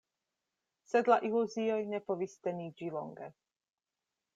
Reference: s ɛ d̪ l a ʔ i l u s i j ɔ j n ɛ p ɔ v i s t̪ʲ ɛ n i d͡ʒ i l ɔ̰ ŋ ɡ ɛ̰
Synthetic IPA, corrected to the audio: s ɛ d̪ l a ʔ i l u z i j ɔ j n ɛ p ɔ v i s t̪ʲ ɛ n i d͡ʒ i l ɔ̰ ŋ ɡ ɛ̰